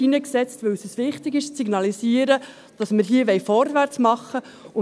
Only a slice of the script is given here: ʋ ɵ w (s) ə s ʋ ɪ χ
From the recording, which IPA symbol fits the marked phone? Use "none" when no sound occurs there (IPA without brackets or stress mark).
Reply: s